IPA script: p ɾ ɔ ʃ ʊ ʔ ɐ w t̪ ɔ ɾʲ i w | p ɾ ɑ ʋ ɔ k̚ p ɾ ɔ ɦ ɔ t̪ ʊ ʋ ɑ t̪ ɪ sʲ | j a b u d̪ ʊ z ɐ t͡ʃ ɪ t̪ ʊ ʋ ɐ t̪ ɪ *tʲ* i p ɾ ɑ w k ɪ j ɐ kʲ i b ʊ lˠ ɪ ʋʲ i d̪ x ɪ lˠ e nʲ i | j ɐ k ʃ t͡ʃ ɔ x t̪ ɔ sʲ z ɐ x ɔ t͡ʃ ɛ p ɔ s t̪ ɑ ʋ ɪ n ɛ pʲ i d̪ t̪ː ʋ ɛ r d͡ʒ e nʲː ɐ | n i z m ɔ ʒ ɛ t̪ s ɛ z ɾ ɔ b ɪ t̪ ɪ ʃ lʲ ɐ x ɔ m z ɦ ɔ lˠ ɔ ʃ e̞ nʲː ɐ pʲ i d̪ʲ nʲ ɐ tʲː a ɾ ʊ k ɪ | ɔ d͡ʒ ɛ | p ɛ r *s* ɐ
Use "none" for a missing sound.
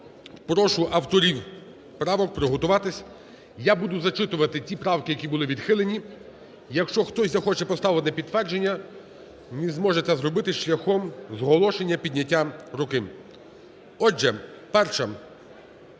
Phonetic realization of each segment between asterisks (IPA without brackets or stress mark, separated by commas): tʲ, ʃ